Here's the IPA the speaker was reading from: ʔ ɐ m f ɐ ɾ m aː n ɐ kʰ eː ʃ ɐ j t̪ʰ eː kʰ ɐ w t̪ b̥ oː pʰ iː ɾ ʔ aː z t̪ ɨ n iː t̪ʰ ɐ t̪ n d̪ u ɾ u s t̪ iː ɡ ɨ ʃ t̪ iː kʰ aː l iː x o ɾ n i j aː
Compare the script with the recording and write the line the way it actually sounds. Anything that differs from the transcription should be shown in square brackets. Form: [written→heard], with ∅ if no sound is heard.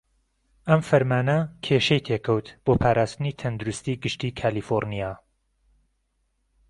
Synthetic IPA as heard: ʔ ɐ m f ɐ ɾ m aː n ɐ kʰ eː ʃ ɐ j t̪ʰ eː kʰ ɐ w t̪ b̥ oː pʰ [iː→aː] ɾ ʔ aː [z→s] t̪ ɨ n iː t̪ʰ ɐ [t̪→∅] n d̪ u ɾ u s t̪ iː ɡ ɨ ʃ t̪ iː kʰ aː l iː [x→f] o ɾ n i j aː